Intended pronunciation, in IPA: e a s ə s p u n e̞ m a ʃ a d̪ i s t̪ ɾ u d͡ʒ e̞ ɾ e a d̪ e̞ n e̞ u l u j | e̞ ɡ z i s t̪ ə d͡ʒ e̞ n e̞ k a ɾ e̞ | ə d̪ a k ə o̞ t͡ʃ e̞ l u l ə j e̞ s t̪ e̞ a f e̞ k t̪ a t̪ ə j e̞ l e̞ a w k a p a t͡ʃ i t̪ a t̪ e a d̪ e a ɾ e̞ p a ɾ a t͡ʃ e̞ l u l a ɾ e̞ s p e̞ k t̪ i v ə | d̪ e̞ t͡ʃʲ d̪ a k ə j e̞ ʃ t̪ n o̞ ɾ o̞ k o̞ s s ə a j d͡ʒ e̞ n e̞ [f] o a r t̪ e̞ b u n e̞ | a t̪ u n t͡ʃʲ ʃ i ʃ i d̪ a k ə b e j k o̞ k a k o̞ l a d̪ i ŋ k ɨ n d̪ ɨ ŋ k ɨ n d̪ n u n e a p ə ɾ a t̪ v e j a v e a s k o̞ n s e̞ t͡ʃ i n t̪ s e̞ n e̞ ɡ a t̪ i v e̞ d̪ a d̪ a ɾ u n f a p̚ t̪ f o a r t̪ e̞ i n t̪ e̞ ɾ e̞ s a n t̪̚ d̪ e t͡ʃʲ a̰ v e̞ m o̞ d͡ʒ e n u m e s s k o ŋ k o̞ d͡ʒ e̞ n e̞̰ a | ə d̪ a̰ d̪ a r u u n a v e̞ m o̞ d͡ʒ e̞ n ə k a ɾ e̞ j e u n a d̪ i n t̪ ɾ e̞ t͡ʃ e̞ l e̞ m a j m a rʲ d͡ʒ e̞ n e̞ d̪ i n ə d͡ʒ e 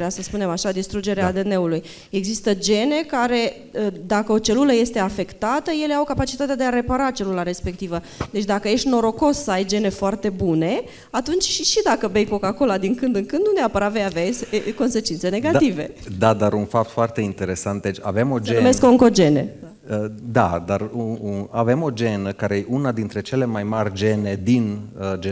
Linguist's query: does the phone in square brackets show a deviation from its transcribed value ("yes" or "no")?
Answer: no